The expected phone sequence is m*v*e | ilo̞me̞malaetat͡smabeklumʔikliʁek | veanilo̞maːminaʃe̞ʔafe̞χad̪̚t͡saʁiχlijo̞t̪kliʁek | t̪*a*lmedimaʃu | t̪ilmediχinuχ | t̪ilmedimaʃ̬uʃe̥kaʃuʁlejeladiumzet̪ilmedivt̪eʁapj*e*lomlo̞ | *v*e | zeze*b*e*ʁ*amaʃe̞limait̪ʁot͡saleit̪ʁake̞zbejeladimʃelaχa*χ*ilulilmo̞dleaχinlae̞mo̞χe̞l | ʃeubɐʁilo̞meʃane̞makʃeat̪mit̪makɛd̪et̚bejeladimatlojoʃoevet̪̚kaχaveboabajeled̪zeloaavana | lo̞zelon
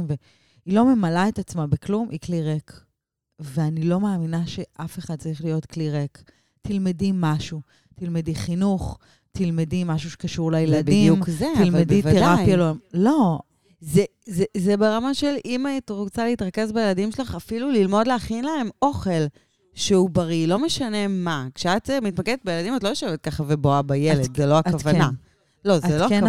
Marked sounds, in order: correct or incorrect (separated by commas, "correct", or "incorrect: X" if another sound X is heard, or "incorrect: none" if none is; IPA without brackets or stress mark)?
correct, incorrect: i, incorrect: a, incorrect: z, correct, correct, incorrect: f